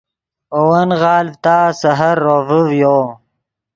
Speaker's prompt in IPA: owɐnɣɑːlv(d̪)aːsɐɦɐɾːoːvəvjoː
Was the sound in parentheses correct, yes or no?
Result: no